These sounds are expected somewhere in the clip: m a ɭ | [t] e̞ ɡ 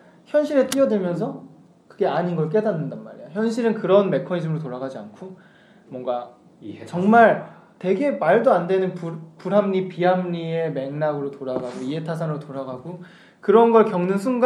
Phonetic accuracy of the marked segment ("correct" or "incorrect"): correct